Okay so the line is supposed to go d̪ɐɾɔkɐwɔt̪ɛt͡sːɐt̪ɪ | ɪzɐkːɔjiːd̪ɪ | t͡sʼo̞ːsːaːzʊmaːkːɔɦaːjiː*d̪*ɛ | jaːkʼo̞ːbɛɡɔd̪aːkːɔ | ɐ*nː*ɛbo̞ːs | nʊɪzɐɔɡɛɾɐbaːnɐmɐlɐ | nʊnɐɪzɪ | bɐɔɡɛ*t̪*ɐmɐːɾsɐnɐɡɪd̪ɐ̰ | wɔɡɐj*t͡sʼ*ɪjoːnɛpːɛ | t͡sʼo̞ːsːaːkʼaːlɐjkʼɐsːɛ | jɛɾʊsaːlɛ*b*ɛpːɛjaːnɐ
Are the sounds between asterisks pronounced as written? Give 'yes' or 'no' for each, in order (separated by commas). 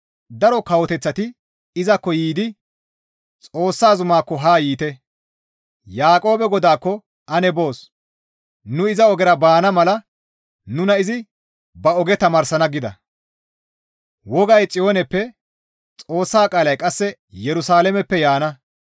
no, no, yes, yes, no